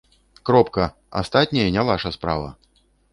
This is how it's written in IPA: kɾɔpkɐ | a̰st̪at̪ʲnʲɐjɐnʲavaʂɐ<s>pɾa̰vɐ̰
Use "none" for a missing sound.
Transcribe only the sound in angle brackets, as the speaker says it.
s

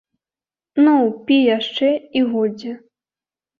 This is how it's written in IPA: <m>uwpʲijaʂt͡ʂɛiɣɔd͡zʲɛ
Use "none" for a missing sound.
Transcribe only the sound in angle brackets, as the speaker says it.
n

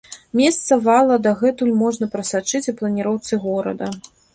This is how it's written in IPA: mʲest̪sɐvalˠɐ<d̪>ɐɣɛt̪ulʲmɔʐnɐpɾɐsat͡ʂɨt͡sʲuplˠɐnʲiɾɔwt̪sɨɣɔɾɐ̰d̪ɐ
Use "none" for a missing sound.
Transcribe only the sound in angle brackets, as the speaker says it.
d̪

